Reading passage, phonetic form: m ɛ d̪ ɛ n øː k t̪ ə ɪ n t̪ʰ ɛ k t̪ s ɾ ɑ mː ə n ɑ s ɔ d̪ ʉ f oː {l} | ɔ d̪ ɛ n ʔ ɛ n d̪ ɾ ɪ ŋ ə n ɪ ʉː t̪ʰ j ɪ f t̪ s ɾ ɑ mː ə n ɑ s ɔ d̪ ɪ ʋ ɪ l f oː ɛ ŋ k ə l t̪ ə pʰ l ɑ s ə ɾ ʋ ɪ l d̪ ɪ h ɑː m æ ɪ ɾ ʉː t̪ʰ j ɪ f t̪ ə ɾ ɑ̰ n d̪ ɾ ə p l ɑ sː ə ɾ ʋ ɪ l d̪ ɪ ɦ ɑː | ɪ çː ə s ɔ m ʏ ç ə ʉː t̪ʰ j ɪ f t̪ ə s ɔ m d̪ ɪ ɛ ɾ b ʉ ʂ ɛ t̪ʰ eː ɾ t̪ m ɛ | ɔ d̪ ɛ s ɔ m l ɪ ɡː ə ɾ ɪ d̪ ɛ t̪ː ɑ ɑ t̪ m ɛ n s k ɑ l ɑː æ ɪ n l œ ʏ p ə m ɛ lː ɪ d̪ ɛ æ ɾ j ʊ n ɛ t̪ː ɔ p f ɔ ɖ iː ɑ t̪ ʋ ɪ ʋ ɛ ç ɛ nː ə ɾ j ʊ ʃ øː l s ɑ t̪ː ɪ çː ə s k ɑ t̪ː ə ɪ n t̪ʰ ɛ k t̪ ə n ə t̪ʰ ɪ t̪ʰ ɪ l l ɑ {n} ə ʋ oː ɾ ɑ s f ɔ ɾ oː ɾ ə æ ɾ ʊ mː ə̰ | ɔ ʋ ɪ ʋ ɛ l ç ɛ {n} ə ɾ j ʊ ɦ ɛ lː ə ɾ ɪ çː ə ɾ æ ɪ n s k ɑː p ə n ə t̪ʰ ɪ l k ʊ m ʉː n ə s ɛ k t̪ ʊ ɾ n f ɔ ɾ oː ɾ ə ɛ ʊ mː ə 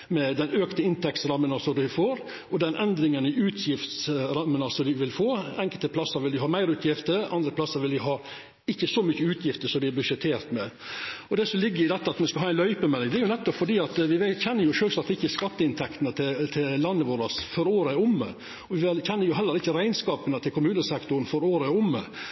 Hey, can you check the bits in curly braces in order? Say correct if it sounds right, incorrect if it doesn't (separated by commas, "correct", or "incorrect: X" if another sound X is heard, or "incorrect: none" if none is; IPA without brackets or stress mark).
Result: incorrect: ɾ, incorrect: nː, incorrect: nː